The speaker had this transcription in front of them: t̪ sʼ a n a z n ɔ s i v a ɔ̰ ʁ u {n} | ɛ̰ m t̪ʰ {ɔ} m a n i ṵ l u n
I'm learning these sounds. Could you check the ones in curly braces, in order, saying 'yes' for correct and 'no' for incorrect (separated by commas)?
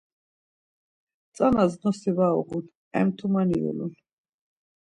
yes, no